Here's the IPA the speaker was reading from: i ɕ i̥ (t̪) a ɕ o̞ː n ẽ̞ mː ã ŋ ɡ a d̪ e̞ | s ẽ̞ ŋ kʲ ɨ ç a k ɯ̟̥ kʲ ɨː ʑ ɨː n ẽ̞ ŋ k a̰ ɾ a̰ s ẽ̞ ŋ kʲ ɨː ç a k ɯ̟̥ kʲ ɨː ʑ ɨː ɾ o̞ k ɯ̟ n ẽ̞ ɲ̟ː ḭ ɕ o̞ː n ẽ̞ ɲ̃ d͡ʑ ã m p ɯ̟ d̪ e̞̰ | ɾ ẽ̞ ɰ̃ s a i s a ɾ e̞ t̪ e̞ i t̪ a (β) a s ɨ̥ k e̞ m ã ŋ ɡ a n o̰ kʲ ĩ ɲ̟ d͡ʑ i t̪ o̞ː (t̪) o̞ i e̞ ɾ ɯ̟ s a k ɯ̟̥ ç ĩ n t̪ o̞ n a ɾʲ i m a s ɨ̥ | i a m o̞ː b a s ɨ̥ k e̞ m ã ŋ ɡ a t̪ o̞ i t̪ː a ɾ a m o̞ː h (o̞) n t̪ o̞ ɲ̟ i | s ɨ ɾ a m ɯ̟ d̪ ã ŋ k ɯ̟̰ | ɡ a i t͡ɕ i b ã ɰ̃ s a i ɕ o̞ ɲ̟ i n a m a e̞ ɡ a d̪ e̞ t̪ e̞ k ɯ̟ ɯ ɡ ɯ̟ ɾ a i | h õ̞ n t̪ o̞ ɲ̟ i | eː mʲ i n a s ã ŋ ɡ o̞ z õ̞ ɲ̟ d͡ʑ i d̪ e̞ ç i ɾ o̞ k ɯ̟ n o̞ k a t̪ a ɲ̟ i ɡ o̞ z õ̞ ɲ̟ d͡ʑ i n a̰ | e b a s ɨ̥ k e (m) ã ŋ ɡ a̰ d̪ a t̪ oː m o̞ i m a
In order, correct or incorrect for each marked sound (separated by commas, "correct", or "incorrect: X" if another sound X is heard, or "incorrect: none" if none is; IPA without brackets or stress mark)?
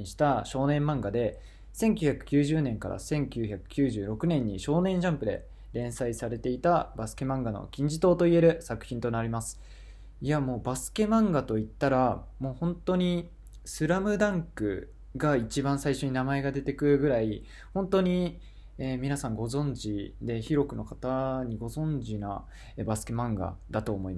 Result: correct, incorrect: b, correct, incorrect: õ̞, correct